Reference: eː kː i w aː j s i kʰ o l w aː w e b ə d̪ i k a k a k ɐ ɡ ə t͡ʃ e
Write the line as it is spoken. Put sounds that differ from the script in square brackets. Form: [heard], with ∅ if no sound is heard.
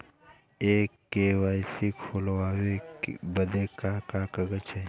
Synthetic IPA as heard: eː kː [e] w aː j s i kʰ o l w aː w e b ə d̪ [e] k a k a k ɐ ɡ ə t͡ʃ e